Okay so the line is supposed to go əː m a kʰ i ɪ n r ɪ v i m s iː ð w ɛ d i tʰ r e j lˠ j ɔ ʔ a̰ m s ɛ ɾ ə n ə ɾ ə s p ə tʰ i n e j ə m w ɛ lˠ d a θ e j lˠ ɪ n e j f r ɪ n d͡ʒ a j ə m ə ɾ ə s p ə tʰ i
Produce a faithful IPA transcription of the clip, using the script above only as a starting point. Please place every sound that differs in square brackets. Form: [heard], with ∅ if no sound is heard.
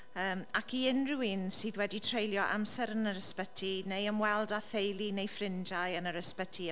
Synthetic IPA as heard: əː m a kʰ i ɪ n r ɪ [w] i [n] s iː ð w ɛ d i tʰ r e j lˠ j ɔ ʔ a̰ m s ɛ ɾ ə n ə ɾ ə s p ə tʰ i n e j ə m w ɛ lˠ d a θ e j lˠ [i] n e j f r ɪ n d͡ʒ a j ə [n] ə ɾ ə s p ə tʰ i